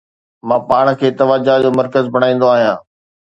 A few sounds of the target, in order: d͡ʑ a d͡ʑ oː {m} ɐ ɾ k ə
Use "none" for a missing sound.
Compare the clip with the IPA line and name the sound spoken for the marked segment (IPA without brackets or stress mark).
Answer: m